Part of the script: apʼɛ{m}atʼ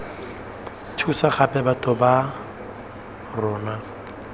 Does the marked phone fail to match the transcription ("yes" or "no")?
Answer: yes